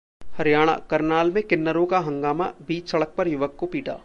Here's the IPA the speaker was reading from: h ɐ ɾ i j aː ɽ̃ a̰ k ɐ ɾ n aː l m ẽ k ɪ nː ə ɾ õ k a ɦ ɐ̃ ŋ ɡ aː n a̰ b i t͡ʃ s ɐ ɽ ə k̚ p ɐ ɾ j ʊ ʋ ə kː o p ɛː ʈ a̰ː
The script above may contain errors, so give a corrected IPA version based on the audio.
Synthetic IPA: h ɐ ɾ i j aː ɽ̃ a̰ k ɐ ɾ n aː l m ẽ k ɪ nː ə ɾ õ k a ɦ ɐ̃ ŋ ɡ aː m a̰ b iː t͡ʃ s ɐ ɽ ə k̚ p ɐ ɾ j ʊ ʋ ə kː o p iː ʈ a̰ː